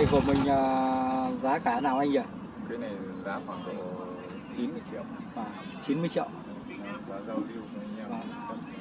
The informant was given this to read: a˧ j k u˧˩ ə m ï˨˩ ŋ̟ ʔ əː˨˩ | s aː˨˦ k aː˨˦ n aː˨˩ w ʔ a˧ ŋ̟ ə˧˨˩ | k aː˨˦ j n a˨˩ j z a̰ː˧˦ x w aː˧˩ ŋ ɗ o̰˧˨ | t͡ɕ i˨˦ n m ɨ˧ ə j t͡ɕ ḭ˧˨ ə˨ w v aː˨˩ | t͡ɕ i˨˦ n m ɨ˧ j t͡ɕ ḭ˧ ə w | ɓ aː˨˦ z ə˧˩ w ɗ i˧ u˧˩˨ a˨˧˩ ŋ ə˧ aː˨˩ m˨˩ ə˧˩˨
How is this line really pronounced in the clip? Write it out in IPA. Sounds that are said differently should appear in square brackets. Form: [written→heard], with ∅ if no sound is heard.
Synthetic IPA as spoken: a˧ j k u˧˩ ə m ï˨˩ ŋ̟ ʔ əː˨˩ | [s→z] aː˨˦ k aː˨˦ n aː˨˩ w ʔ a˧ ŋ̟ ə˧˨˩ | k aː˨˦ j n a˨˩ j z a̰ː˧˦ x w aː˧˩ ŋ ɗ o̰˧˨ | t͡ɕ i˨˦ n m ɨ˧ ə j t͡ɕ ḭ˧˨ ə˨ w v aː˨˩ | t͡ɕ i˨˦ n m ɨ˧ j t͡ɕ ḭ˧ ə w | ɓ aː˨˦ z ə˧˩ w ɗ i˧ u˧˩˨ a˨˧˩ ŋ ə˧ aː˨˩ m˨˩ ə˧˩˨